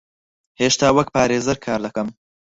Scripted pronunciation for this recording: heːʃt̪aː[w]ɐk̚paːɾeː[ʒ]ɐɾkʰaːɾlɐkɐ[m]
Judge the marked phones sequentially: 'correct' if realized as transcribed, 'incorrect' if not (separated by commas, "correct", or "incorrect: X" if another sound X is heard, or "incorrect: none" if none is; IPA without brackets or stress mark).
correct, incorrect: z, correct